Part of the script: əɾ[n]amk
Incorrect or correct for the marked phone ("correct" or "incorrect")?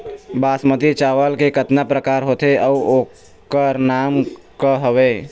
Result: correct